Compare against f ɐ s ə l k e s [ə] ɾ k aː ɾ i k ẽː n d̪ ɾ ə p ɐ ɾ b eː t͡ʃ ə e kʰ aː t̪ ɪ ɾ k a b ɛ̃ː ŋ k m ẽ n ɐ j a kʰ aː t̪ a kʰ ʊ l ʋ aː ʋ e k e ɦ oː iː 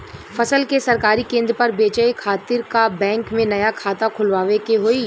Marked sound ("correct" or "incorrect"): incorrect